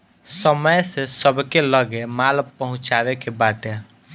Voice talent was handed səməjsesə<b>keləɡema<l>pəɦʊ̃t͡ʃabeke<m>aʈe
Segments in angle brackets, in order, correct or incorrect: correct, correct, incorrect: b

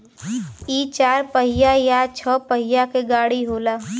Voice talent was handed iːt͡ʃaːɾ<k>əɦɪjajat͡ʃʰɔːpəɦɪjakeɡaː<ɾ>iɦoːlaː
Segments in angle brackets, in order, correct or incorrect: incorrect: p, incorrect: ɽ

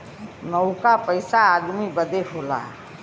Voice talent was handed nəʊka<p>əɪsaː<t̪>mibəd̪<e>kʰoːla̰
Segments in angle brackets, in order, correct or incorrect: correct, incorrect: d̪, correct

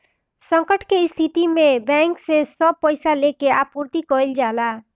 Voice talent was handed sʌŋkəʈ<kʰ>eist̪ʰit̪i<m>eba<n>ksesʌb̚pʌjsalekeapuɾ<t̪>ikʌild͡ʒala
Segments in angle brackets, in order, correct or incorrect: incorrect: k, correct, incorrect: ŋ, correct

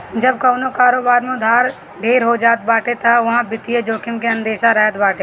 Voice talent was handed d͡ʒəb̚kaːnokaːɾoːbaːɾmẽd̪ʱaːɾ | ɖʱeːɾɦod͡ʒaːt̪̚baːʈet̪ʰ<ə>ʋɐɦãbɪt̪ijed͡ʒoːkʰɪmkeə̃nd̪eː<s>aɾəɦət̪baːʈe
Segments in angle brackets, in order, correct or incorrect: incorrect: a, incorrect: ʃ

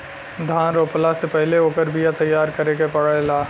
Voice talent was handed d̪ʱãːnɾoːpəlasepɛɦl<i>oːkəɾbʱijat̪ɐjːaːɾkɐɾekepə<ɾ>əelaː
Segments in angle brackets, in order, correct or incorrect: incorrect: e, incorrect: ɽ

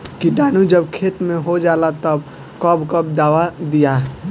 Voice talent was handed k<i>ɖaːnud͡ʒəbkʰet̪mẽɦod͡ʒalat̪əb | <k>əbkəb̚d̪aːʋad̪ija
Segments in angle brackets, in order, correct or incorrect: correct, correct

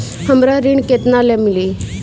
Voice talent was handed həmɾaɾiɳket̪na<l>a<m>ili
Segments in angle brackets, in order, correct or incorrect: correct, correct

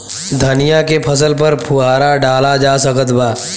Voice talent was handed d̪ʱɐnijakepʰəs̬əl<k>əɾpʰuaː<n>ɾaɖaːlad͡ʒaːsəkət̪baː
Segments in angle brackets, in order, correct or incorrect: incorrect: p, incorrect: none

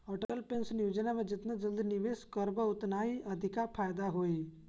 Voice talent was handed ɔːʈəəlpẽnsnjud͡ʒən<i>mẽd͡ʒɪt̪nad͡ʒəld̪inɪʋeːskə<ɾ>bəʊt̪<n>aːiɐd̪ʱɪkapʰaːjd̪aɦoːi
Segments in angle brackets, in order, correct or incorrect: incorrect: a, correct, correct

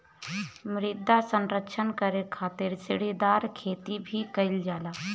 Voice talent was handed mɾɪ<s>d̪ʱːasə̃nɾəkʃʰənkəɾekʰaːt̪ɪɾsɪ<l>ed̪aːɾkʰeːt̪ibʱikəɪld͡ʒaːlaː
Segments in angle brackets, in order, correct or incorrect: incorrect: none, incorrect: ɽ

